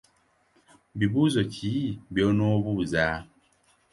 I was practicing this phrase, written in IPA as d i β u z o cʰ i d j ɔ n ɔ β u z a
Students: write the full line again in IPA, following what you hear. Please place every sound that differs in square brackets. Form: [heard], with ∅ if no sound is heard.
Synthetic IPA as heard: [b] i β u z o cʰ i [b] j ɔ n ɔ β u z a